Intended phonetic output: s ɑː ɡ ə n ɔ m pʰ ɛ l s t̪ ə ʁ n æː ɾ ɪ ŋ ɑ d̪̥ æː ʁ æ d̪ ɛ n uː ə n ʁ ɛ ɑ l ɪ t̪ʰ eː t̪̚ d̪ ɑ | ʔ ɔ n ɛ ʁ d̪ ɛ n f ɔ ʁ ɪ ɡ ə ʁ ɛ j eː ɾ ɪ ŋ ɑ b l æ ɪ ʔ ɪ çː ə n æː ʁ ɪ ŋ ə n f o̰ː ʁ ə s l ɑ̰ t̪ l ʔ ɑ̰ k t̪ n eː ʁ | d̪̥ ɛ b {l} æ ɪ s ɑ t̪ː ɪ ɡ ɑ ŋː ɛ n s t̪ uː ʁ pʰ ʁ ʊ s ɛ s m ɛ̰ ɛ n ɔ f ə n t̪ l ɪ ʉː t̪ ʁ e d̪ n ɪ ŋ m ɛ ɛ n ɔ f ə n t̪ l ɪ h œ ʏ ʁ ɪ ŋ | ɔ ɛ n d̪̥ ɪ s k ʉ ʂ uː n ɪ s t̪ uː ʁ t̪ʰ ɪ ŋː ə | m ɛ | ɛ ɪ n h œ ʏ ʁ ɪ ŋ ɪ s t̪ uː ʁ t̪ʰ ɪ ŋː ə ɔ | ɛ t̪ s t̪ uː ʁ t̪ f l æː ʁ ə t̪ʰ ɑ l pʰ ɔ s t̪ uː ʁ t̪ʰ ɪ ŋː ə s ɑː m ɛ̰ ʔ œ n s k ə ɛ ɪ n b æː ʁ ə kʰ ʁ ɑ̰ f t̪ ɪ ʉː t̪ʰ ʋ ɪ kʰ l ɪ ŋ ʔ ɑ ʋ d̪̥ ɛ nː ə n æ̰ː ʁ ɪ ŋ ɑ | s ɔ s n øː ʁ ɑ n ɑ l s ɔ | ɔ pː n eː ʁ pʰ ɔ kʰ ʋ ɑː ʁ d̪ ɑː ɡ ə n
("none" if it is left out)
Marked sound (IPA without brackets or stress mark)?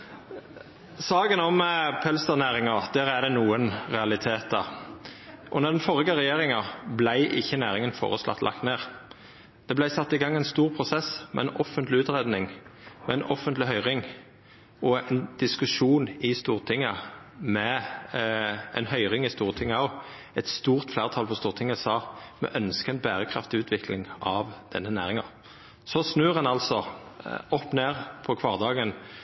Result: l